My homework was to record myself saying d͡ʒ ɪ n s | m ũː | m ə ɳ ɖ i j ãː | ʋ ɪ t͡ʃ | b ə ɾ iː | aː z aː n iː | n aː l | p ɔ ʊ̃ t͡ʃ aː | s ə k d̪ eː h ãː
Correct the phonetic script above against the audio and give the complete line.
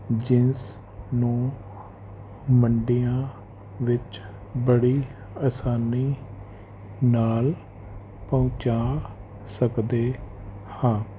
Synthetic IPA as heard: d͡ʒ ɪ n s | n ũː | m ə ɳ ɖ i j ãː | ʋ ɪ t͡ʃ | b ə ɽ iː | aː s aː n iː | n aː l | p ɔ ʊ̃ t͡ʃ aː | s ə k d̪ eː h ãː